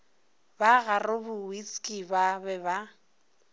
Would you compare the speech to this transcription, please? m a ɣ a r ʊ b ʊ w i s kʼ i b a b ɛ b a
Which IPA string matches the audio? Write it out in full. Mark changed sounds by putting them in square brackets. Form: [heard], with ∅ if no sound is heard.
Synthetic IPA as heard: [b] a ɣ a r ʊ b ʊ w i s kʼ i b a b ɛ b a